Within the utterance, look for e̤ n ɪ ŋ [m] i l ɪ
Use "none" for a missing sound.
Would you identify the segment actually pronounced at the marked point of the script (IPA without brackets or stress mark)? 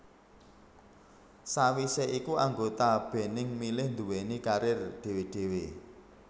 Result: m